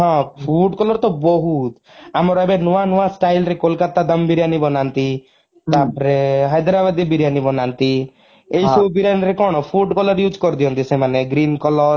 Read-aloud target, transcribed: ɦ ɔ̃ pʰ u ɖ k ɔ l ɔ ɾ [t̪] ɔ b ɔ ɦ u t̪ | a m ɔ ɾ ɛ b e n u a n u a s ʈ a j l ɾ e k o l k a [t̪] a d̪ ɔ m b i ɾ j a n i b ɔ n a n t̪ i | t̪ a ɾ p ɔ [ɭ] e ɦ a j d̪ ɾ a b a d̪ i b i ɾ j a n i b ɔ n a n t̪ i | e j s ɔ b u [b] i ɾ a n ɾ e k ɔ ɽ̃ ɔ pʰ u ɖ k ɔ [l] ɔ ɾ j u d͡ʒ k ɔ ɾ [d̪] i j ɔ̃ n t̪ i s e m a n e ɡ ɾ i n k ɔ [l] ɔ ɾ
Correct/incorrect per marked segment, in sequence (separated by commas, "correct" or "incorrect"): correct, correct, incorrect, correct, correct, correct, correct